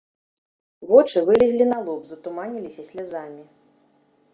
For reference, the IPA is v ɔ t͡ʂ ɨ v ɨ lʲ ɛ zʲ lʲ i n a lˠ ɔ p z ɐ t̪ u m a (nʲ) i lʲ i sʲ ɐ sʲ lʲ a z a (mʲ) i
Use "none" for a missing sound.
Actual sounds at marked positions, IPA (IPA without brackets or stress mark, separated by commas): nʲ, mʲ